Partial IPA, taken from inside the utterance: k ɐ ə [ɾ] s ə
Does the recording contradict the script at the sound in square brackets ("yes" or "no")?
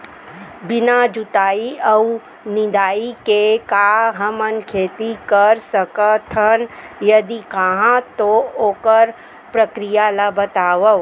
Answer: no